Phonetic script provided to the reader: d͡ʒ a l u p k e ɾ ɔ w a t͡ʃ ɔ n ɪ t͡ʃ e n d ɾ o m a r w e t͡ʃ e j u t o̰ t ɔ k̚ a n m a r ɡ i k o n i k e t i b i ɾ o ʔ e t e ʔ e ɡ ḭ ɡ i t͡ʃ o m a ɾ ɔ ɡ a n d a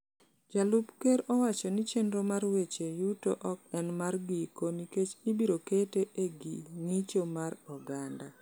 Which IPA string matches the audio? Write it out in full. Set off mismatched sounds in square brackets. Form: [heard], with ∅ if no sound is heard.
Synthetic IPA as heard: d͡ʒ a l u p k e ɾ ɔ w a t͡ʃ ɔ n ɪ t͡ʃ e n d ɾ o m a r w e t͡ʃ e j u t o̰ [ʔ] ɔ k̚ [ɛ] n m a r ɡ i k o n i k e [t͡ʃ] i b i ɾ o [k] e t e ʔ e ɡ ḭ [ŋ] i t͡ʃ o m a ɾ ɔ ɡ a n d a